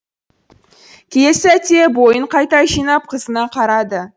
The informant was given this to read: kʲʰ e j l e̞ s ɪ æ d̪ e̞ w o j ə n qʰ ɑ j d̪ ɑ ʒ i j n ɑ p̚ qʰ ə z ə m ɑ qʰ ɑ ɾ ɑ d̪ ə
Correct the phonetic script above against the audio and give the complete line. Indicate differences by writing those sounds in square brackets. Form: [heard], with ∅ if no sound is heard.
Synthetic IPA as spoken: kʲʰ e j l e̞ s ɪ æ [t̪] e̞ [b] o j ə [ɴ] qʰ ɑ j [t̪] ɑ ʒ i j n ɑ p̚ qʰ ə z ə [n] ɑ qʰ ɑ ɾ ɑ d̪ ə